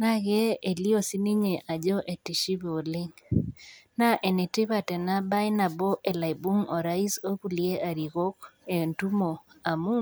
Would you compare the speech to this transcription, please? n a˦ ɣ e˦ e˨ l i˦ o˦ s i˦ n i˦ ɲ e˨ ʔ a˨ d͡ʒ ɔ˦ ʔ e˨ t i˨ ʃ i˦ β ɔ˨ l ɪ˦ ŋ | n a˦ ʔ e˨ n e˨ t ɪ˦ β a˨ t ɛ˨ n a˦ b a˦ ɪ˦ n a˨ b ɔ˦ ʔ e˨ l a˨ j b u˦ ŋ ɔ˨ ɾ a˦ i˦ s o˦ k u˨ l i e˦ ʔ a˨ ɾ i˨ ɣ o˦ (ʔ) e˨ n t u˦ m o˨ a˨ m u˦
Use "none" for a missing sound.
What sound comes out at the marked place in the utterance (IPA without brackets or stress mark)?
k